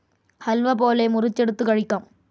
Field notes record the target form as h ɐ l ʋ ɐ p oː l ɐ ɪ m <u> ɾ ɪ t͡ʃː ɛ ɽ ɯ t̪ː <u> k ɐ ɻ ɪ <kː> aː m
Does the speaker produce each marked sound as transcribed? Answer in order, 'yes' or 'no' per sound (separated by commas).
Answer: no, no, yes